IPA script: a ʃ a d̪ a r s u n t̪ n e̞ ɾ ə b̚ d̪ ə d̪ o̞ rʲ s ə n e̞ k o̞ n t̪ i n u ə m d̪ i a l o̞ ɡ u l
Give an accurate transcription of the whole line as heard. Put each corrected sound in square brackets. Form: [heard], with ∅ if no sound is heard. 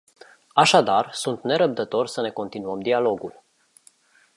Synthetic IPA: a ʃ a d̪ a r s u n t̪ n e̞ ɾ ə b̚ d̪ ə [t̪] o̞ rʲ s ə n e̞ k o̞ n t̪ i n u ə m d̪ i a l o̞ ɡ u l

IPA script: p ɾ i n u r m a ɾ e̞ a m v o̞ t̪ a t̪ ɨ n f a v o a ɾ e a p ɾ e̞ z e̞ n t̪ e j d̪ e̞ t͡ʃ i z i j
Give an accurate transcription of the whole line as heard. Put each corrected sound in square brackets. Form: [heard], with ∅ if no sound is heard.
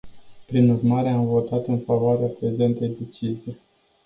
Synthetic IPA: p ɾ i n u r m a ɾ e̞ a m v o̞ t̪ a t̪ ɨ n f a v o a ɾ e a p ɾ e̞ z e̞ n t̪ e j d̪ e̞ t͡ʃ i z i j

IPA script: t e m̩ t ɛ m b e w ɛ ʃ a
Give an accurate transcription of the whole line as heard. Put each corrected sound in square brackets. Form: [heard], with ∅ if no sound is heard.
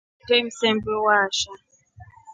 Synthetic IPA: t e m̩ [s] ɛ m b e w [a] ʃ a

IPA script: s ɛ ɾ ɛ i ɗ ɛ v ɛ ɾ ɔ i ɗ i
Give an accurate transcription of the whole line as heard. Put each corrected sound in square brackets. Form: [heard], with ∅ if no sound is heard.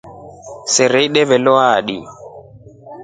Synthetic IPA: s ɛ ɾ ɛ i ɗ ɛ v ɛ [l] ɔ [a] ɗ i

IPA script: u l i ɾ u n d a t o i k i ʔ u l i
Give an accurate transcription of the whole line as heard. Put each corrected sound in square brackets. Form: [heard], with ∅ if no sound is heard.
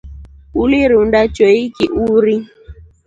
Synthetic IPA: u l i ɾ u n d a [t͡ʃ] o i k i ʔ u [ɾ] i

